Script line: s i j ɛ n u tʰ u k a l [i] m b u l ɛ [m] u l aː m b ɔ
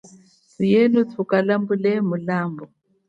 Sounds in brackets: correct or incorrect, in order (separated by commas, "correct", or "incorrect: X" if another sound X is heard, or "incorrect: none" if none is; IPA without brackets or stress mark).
incorrect: a, correct